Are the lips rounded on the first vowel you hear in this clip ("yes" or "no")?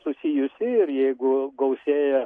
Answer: yes